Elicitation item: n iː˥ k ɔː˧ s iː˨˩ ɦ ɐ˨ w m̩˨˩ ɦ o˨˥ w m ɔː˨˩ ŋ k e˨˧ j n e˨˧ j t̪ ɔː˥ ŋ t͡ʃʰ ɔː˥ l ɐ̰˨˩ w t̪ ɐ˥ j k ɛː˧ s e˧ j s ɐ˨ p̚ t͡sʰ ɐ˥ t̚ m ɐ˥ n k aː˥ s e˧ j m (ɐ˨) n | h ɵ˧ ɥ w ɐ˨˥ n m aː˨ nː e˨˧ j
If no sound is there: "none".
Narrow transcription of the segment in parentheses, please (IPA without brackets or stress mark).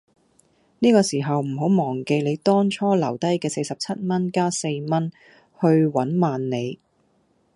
ɐ˥